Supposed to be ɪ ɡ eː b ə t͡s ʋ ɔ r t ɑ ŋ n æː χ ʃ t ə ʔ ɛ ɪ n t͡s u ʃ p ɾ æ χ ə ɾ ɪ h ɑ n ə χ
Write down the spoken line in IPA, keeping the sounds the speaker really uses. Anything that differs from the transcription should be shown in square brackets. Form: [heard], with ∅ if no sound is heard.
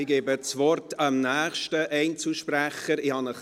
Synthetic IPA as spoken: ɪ ɡ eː b ə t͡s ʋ ɔ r t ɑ [m] n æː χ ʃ t ə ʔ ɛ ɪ n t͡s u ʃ p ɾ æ χ ə ɾ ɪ h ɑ n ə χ